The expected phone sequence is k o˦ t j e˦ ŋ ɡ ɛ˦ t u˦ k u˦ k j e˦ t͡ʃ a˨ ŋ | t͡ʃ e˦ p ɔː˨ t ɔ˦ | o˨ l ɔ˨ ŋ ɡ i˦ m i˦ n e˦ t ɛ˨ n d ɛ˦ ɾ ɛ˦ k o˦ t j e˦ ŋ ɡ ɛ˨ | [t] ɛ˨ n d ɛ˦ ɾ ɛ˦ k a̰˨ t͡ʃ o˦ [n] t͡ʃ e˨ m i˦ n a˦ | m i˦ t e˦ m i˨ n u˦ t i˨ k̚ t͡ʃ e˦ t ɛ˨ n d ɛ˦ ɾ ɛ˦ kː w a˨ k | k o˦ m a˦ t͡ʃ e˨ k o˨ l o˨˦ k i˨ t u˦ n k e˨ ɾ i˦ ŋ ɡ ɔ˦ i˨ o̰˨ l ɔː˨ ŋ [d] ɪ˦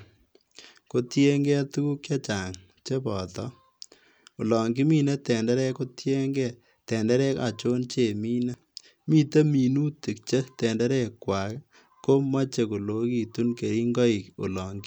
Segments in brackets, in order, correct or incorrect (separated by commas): correct, correct, incorrect